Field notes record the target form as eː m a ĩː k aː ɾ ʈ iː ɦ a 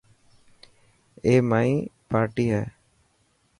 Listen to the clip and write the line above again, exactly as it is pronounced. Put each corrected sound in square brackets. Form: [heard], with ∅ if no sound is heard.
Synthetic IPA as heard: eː m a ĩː [p] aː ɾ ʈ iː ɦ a